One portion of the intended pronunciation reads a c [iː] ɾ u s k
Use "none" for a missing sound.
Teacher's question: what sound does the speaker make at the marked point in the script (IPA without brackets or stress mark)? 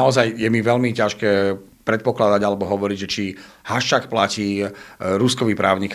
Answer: iː